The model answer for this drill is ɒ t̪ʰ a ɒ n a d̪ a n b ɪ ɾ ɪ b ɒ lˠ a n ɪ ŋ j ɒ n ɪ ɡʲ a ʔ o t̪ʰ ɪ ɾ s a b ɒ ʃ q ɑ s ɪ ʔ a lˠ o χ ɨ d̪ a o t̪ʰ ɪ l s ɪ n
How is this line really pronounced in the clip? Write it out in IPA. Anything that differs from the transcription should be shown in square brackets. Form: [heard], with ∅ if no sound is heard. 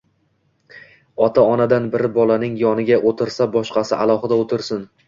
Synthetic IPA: ɒ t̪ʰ a ɒ n a d̪ a n b ɪ ɾ ɪ b ɒ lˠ a n ɪ ŋ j ɒ n ɪ ɡʲ a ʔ o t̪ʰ ɪ ɾ s a b ɒ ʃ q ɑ s ɪ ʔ a lˠ [ɒ] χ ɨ d̪ a o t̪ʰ ɪ [ɾ] s ɪ n